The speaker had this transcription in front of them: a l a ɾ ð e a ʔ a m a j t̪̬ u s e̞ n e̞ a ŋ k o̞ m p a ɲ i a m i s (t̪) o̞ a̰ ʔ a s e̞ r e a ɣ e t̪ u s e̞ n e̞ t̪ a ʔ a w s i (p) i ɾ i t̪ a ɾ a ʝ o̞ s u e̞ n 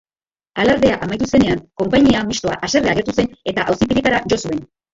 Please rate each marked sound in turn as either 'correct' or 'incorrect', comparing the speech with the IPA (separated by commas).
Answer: correct, correct